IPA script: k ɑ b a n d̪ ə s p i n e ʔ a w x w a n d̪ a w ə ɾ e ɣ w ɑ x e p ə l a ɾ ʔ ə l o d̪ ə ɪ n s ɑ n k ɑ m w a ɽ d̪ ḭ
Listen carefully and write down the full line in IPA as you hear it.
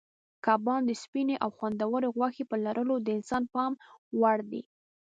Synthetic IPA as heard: k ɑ b ɑ n d̪ ə s p i n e ʔ a w x w a n d̪ a w ə ɾ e ɣ w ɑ x e p ə l a ɾ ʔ ə l o d̪ ə ɪ n s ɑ n p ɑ m w a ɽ d̪ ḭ